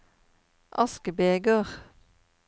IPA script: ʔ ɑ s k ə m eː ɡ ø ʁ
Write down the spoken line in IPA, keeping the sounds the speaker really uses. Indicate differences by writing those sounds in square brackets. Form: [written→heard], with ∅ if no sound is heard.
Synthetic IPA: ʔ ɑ s k ə [m→b] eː ɡ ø ʁ